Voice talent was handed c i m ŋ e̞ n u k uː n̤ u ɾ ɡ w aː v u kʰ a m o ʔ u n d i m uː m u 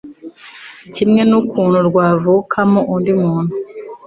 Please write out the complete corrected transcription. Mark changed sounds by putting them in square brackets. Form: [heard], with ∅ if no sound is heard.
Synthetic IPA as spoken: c i m ŋ e̞ n u k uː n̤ u ɾ ɡ w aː v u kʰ a m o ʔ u n d i m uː [n] u

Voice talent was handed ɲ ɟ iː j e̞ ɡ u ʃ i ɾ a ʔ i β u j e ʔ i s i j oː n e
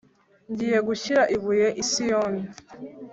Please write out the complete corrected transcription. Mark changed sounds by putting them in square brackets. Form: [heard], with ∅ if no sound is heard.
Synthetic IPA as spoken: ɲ ɟ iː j e̞ ɡ u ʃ i ɾ a ʔ i β u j e ʔ i s i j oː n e

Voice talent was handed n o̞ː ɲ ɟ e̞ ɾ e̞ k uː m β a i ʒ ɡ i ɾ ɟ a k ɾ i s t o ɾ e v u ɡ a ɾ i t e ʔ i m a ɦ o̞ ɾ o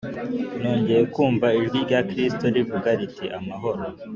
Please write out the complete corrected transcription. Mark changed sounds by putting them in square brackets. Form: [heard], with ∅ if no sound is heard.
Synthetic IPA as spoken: n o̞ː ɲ ɟ e̞ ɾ e̞ k uː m [v] a i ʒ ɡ i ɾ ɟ a k ɾ i s t o ɾ [i] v u ɡ a ɾ i t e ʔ [a] m a ɦ o̞ ɾ o

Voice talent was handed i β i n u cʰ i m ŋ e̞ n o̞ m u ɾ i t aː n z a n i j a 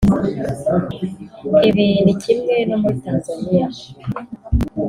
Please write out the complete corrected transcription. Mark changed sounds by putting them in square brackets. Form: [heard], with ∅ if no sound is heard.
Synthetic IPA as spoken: i β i n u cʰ i m ŋ e̞ n o̞ m u ɾ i t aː n z a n i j a

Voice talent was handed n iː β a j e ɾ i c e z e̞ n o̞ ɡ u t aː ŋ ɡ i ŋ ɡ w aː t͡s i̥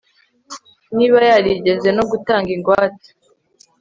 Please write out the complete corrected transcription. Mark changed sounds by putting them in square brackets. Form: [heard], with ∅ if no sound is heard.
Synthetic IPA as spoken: n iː β a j [a] ɾ i [ɟ] e z e̞ n o̞ ɡ u t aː ŋ ɡ i ŋ ɡ w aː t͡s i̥

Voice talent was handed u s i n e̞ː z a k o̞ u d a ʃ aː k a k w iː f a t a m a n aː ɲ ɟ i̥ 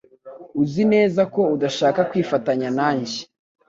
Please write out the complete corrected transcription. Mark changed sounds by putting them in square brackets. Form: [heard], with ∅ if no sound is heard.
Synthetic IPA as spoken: u [z] i n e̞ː z a k o̞ u d a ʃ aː k a k w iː f a t a [ɲ] a n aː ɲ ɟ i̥

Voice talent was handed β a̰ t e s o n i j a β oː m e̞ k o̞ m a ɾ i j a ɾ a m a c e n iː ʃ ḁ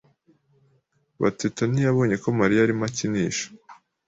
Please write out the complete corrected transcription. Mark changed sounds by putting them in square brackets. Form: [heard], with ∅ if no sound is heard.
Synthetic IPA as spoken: β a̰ t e [t] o n i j a β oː [ɲ] e̞ k o̞ m a ɾ i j a ɾ [i] m a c [i] n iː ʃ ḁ

